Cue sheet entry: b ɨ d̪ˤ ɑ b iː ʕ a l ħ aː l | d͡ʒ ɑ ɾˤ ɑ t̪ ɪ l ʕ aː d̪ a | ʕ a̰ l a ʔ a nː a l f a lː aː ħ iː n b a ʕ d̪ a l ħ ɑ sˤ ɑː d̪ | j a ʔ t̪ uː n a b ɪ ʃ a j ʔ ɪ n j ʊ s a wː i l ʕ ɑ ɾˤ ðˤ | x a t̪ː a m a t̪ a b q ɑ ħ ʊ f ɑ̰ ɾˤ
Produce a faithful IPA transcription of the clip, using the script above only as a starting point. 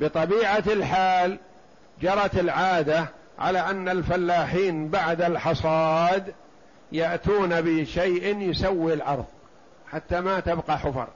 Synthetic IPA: b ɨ t̪ˤ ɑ b iː ʕ a l ħ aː l | d͡ʒ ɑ ɾˤ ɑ t̪ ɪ l ʕ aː d̪ a | ʕ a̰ l a ʔ a nː a l f a lː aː ħ iː n b a ʕ d̪ a l ħ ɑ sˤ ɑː d̪ | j a ʔ t̪ uː n a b ɪ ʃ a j ʔ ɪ n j ʊ s a wː i l ʕ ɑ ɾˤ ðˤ | ħ a t̪ː a m a t̪ a b q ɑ ħ ʊ f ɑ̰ ɾˤ